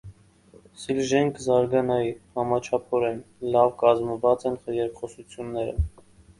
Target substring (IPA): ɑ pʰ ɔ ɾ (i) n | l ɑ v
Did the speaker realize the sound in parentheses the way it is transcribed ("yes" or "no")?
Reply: no